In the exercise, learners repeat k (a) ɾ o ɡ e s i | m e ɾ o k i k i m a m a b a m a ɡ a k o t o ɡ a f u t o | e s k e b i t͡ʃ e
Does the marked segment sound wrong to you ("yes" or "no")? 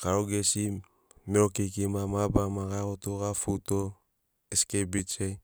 no